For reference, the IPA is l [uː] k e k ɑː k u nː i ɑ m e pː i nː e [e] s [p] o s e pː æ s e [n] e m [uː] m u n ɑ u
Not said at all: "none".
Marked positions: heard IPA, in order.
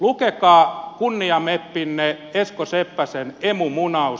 u, e, k, n, u

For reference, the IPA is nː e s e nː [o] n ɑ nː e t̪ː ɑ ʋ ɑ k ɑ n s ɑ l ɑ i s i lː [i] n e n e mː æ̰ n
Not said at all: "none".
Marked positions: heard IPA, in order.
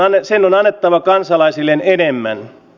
o, e

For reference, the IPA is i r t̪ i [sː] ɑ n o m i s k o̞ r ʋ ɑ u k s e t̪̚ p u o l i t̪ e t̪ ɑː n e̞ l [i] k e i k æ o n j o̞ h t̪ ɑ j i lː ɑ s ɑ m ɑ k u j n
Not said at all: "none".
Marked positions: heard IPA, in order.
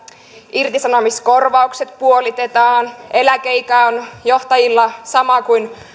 s, æ

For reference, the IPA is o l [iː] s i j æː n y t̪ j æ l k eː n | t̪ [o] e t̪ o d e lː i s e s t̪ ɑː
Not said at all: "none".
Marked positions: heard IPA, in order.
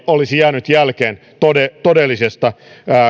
i, o

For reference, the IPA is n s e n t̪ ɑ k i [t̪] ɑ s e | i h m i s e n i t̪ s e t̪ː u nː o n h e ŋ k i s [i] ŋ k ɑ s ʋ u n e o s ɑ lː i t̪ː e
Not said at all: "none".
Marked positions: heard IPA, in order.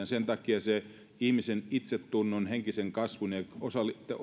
none, e

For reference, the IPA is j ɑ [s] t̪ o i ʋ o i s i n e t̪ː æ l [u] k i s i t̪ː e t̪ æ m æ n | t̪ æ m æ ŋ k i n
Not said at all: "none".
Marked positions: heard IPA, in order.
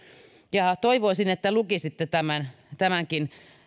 none, u

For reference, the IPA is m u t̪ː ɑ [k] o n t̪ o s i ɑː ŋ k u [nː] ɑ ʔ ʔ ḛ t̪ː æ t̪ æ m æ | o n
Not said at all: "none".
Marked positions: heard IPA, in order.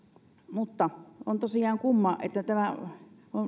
none, mː

